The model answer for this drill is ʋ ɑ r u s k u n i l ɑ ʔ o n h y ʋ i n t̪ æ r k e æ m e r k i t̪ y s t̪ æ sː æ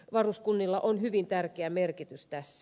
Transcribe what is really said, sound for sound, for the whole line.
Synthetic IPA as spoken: ʋ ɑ r u s k u nː i lː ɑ ʔ o n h y ʋ i n t̪ æ r k e æ m e r k i t̪ y s t̪ æ sː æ